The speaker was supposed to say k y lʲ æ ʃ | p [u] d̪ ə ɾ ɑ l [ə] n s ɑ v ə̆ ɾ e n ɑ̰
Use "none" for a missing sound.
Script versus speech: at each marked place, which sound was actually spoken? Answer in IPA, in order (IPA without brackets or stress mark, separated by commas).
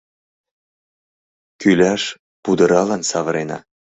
u, ɑ